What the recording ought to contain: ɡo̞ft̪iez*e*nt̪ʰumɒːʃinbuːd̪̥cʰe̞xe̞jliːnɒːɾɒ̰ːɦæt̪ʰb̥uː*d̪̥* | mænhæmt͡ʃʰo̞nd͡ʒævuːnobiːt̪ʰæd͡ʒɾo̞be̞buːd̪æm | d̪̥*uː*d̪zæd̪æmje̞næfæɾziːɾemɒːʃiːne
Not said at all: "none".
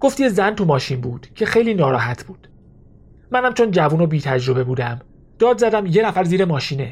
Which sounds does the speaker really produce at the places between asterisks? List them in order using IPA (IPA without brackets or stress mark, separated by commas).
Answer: æ, d̪̥, ɒː